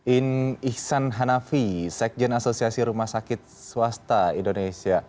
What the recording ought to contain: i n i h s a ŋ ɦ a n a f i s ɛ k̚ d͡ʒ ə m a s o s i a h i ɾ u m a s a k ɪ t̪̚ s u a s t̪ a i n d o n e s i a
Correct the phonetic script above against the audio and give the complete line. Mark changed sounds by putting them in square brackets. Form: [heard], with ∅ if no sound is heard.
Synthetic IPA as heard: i n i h s a [n] ɦ a n a f i s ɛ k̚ d͡ʒ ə [n] a s o s i a [s] i ɾ u m a s a k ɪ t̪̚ s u a s t̪ a i n d o n e s i a